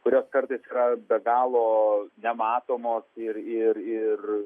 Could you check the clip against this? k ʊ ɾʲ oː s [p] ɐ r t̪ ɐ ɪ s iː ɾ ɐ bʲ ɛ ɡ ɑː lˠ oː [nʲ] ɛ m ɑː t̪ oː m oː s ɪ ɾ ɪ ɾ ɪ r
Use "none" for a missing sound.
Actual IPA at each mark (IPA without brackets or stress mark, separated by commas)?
k, nʲ